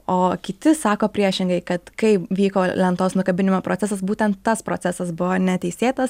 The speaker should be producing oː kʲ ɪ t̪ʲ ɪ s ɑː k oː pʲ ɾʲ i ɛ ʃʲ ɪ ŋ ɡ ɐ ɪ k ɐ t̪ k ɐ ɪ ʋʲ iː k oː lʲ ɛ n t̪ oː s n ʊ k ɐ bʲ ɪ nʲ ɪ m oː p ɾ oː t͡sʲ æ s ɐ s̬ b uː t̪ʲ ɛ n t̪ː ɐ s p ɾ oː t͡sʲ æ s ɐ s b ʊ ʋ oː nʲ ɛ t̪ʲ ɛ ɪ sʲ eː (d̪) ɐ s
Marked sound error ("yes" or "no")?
yes